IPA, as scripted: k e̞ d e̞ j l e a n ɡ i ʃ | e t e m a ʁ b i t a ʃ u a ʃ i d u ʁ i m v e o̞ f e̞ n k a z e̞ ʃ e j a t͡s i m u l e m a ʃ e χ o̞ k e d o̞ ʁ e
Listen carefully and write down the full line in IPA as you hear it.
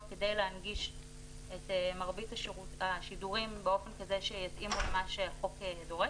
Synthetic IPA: k e̞ d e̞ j l e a n ɡ i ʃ | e t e m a ʁ b i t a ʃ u a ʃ i d u ʁ i m b e o̞ f e̞ n k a z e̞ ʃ e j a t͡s i m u l e m a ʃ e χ o̞ k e d o̞ ʁ e